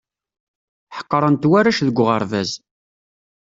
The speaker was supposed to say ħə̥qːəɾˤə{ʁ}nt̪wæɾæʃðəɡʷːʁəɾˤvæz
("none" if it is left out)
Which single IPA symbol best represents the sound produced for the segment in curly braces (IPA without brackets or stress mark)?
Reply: none